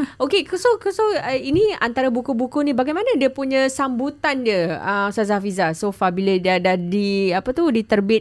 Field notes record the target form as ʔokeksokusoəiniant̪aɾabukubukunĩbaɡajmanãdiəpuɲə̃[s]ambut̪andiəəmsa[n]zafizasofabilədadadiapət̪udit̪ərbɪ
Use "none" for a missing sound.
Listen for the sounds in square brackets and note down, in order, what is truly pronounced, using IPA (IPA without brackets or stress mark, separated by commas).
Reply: s, none